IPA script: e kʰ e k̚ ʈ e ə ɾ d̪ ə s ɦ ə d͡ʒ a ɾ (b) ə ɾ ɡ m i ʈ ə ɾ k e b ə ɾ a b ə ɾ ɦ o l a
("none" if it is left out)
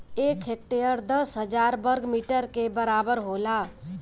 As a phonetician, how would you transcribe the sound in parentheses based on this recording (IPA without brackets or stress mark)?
b